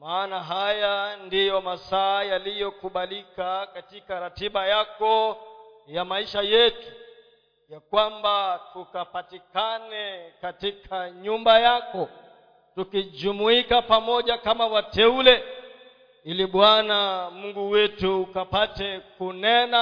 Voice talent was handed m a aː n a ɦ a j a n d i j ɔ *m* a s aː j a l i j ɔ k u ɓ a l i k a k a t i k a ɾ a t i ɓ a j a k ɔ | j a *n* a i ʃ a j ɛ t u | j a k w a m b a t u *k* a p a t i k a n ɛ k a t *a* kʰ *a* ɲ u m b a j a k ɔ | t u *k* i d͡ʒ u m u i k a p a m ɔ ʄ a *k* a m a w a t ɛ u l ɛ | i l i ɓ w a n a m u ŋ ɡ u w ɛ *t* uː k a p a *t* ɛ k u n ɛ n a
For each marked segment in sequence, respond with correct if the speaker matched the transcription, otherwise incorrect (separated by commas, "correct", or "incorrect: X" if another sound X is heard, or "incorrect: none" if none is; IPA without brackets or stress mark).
correct, incorrect: m, correct, incorrect: i, correct, correct, correct, correct, correct